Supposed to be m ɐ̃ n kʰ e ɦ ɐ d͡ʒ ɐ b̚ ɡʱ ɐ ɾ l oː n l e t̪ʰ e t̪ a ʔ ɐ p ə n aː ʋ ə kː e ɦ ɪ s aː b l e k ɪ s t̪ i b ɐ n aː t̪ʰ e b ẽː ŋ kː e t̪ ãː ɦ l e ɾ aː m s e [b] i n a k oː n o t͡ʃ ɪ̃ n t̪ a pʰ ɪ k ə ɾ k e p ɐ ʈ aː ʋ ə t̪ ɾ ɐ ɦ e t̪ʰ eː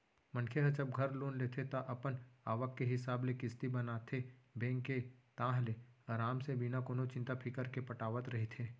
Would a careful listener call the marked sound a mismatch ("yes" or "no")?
no